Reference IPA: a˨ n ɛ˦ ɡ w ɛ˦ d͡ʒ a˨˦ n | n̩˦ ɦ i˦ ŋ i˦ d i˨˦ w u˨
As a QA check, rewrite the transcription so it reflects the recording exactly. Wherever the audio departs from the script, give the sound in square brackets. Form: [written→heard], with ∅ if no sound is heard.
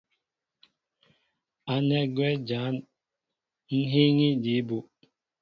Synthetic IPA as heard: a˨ n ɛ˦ ɡ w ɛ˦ d͡ʒ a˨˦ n | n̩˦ ɦ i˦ ŋ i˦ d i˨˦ [w→b] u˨